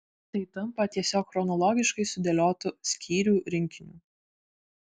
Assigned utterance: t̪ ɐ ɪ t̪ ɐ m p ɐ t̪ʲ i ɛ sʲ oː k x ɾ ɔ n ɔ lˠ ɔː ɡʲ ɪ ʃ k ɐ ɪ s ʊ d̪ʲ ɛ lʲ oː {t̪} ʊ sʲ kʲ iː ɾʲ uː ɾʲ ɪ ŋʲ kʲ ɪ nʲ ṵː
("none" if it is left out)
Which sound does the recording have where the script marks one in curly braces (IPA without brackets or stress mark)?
t̪